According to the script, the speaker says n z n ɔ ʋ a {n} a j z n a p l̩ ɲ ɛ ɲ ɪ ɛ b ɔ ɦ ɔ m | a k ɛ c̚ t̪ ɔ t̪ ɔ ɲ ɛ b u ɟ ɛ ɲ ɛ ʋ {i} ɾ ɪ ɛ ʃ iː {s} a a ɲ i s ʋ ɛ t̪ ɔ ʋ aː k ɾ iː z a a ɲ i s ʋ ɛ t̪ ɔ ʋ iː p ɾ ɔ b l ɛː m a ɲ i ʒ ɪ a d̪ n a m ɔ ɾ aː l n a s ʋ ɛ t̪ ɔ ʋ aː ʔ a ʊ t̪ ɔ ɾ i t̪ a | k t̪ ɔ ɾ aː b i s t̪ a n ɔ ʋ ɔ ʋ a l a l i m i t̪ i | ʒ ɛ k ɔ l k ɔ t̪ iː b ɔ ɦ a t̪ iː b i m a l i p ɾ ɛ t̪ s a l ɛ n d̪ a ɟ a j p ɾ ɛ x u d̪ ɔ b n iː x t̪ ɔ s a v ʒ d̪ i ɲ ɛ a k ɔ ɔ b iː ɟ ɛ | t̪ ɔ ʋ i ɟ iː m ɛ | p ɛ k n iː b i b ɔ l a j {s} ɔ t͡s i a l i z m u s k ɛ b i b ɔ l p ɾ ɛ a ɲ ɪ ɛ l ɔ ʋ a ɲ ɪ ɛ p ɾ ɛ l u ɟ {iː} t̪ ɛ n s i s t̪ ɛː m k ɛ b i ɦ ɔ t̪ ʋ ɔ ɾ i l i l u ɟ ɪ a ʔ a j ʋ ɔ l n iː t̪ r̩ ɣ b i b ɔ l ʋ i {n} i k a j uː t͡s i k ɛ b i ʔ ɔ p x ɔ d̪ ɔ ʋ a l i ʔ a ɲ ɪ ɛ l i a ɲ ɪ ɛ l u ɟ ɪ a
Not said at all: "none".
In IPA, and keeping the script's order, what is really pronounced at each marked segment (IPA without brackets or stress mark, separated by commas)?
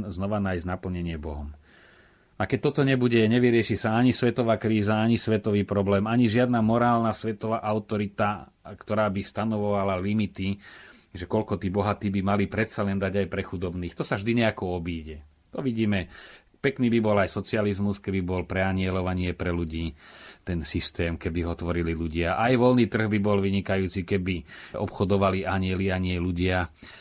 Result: n, i, s, s, iː, ɲ